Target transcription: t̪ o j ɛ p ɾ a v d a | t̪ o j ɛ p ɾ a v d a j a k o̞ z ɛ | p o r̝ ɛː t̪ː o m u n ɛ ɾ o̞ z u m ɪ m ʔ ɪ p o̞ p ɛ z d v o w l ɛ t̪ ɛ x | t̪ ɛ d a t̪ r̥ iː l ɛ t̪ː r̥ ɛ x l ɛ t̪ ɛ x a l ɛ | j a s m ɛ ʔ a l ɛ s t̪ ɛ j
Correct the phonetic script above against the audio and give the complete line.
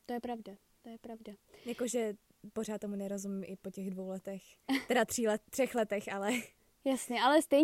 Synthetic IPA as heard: t̪ o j ɛ p ɾ a v d a | t̪ o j ɛ p ɾ a v d a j a k o̞ ʒ ɛ | p o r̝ aː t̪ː o m u n ɛ ɾ o̞ z u m ɪ m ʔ ɪ p o̞ c ɛ ɣ d v o w l ɛ t̪ ɛ x | t̪ ɛ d a t̪ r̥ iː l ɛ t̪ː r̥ ɛ x l ɛ t̪ ɛ x a l ɛ | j a s ɲ ɛ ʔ a l ɛ s t̪ ɛ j